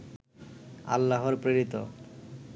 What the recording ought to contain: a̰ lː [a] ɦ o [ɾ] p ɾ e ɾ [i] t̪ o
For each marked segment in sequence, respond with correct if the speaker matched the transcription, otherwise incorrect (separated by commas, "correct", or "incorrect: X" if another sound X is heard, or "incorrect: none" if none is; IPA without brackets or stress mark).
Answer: correct, correct, correct